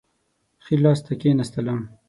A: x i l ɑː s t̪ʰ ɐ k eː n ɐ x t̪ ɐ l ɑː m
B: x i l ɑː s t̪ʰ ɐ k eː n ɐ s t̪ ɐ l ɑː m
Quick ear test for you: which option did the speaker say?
B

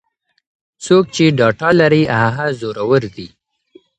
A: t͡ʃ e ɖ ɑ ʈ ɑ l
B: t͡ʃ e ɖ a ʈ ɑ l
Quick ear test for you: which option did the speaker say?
A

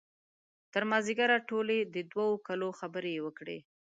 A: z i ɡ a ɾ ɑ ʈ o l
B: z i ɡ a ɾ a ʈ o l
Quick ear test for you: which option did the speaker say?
B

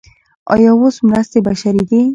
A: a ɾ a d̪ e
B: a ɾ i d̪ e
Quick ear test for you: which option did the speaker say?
B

